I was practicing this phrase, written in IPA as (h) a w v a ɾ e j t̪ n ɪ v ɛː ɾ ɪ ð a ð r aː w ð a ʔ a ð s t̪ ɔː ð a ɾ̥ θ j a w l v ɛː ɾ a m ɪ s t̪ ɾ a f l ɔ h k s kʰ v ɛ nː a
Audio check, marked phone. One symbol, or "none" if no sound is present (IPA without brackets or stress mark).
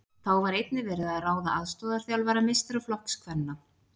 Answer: θ